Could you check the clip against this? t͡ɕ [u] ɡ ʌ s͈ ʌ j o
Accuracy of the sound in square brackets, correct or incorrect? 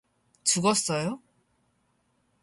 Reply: correct